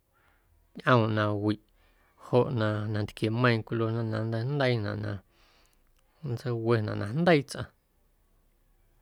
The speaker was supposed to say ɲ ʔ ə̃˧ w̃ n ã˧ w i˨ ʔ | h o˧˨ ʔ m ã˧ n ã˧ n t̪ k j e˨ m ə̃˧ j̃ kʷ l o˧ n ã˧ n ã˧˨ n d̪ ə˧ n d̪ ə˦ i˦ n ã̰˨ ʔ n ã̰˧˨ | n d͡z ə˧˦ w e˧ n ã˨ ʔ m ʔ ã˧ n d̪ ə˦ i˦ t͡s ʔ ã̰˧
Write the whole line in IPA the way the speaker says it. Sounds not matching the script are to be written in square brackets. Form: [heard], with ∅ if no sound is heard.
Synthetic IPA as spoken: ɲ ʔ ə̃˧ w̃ n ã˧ w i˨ ʔ | h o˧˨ ʔ [n] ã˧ n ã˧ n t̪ k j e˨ m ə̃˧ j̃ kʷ l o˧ n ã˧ n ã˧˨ n d̪ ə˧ n d̪ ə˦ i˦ n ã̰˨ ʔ n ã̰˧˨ | n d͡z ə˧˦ w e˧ n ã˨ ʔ [n] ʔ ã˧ n d̪ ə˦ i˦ t͡s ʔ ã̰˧